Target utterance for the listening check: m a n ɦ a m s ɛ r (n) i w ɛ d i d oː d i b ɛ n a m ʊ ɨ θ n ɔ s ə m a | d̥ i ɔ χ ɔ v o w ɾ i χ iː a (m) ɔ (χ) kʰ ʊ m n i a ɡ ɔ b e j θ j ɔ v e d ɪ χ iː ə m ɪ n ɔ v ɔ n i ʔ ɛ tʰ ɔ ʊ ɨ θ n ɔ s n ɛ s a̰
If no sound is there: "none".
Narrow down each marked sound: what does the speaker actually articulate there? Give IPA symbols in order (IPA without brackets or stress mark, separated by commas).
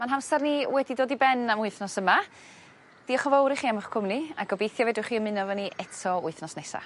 n, m, χ